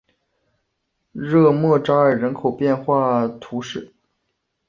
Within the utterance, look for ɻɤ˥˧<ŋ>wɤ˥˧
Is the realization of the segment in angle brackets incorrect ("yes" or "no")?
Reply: yes